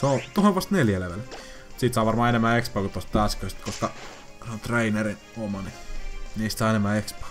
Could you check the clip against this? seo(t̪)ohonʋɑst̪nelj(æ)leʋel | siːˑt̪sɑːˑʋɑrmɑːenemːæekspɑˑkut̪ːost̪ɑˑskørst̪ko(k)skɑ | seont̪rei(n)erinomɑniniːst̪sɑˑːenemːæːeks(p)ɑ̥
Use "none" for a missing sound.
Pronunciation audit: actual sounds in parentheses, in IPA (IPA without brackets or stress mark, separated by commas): t̪, æ, none, n, p